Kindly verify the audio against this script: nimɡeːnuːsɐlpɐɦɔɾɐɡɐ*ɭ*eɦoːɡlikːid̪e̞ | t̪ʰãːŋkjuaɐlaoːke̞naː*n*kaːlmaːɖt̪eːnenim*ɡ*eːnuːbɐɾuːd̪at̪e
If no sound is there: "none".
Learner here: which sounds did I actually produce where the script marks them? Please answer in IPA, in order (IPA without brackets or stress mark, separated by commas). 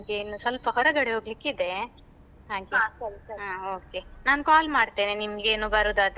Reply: ɽ, n, ɡ